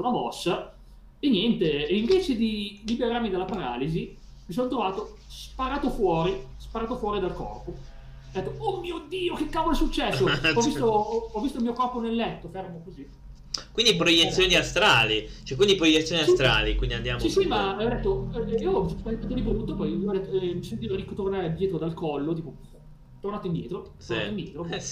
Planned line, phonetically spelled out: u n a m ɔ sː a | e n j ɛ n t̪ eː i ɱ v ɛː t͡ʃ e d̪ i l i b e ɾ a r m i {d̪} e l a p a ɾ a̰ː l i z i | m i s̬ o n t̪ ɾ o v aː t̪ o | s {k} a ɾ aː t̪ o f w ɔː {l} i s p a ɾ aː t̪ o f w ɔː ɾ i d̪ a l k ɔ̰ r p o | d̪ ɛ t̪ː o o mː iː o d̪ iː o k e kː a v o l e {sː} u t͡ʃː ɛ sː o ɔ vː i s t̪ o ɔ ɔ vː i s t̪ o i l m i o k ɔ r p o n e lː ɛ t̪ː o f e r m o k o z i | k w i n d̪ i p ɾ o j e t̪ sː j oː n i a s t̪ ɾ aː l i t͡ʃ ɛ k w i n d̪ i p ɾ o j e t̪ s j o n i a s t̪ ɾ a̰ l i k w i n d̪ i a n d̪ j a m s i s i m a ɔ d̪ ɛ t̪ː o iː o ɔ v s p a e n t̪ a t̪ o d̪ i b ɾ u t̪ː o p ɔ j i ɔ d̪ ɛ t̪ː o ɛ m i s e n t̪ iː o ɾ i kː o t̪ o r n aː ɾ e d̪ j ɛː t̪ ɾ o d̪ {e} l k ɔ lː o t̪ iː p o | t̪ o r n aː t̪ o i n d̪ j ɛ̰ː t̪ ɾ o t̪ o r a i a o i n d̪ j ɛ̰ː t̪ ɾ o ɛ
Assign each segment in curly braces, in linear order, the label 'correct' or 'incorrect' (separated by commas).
correct, incorrect, incorrect, incorrect, incorrect